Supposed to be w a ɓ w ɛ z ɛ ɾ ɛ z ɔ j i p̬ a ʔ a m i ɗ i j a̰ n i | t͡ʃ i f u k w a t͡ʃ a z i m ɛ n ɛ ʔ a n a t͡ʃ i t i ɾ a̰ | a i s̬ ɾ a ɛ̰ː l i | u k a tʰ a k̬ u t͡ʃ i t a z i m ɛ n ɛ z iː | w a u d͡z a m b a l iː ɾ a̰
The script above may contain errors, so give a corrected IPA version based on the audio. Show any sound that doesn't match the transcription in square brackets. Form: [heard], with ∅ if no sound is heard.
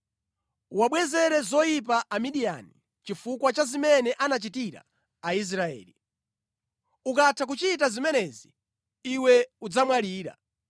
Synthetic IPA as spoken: w a ɓ w ɛ z ɛ ɾ ɛ z ɔ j i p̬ a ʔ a m i ɗ i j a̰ n i | t͡ʃ i f u k w a t͡ʃ a z i m ɛ n ɛ ʔ a n a t͡ʃ i t i ɾ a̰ | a i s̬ ɾ a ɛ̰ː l i | u k a tʰ a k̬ u t͡ʃ i t a z i m ɛ n ɛ z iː | w [ɛ] u d͡z a m [w] a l iː ɾ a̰